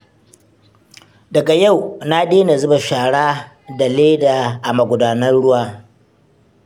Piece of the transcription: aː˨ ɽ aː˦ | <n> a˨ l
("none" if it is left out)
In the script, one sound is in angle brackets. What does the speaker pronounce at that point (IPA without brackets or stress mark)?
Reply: d